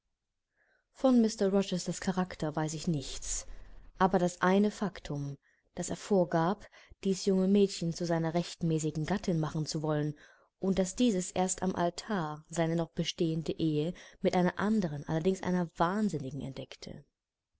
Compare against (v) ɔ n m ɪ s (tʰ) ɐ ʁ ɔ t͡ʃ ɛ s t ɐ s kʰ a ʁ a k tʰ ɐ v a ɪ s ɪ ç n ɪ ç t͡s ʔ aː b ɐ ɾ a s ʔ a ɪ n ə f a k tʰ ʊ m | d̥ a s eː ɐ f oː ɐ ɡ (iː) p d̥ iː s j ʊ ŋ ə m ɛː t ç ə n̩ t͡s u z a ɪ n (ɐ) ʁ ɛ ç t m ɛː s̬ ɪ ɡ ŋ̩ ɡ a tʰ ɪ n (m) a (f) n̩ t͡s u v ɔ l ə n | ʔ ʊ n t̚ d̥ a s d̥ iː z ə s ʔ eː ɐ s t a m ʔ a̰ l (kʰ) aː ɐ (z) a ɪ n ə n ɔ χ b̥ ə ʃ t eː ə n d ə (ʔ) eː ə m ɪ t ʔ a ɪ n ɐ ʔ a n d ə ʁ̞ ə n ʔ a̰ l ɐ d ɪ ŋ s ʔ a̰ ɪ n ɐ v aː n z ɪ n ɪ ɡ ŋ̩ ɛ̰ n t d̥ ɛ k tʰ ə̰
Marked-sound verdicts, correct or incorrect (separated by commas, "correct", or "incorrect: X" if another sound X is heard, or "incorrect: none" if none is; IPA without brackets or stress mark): incorrect: f, incorrect: t, incorrect: aː, correct, correct, incorrect: χ, incorrect: tʰ, correct, correct